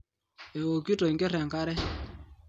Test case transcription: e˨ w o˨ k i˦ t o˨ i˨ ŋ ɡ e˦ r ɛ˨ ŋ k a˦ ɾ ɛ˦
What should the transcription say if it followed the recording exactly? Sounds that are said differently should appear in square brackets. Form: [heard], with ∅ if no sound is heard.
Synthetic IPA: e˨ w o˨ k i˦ t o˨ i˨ ŋ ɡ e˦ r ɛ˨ ŋ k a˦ ɾ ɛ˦